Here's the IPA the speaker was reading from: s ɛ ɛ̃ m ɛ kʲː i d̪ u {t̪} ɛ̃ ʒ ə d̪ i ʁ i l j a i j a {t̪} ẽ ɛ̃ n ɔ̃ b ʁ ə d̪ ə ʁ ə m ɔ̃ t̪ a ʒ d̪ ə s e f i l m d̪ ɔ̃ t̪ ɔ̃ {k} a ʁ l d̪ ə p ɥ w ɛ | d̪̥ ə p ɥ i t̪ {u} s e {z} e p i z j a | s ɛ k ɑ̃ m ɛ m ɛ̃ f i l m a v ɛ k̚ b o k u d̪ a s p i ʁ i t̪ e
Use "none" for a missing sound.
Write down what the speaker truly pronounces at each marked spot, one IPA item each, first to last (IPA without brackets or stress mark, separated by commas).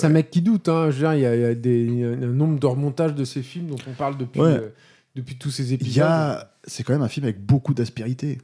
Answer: t̪, d̪, p, u, z